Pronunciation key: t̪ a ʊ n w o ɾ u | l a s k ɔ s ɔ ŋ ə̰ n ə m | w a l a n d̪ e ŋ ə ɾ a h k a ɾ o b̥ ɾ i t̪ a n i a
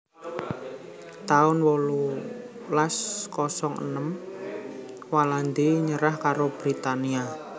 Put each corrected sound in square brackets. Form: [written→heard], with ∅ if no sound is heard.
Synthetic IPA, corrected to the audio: t̪ a ʊ n w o [ɾ→l] u | l a s k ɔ s ɔ ŋ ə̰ n ə m | w a l a n d̪ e [ŋ→ɲ] ə ɾ a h k a ɾ o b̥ ɾ i t̪ a n i a